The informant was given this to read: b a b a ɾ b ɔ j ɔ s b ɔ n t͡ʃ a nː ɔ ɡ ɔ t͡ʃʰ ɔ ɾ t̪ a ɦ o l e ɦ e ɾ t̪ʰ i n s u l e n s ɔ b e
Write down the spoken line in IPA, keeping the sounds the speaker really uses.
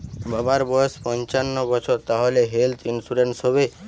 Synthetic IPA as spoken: b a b a ɾ b ɔ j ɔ s p ɔ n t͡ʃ a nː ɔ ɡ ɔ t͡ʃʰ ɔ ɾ t̪ a ɦ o l e ɦ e l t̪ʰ i n s u ɾ e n s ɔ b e